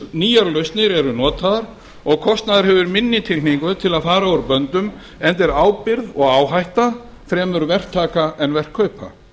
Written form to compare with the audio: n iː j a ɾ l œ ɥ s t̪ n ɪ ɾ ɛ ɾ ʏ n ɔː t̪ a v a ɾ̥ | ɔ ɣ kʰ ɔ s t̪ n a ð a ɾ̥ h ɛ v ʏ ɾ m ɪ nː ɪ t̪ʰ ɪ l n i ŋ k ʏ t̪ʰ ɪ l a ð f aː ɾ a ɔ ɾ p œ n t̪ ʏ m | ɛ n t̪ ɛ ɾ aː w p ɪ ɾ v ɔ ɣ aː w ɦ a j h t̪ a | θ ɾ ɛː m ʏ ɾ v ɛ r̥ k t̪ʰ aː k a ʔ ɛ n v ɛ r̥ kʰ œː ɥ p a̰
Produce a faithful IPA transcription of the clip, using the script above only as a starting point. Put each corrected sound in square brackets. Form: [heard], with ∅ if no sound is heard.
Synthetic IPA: n iː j a ɾ l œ ɥ s t̪ n ɪ ɾ ɛ ɾ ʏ n ɔː t̪ a [ð] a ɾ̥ | ɔ ɣ kʰ ɔ s t̪ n a ð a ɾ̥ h ɛ v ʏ ɾ m ɪ nː ɪ t̪ʰ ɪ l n i ŋ k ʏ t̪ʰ ɪ l a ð f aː ɾ a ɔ ɾ p œ n t̪ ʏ m | ɛ n t̪ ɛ ɾ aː w p ɪ ɾ [ð] ɔ ɣ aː w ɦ a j h t̪ a | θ ɾ ɛː m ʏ ɾ v ɛ r̥ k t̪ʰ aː k a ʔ ɛ n v ɛ r̥ kʰ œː ɥ p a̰